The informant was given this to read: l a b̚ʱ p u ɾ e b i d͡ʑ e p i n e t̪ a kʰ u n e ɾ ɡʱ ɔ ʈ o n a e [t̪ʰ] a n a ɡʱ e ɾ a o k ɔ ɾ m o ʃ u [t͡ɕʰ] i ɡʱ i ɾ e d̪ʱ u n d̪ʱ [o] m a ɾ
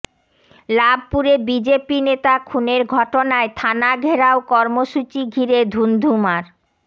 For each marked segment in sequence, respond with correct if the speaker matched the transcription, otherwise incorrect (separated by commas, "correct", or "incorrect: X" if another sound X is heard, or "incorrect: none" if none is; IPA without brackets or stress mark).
correct, incorrect: t͡ɕ, incorrect: u